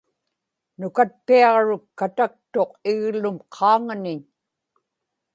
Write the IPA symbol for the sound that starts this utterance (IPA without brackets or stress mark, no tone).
n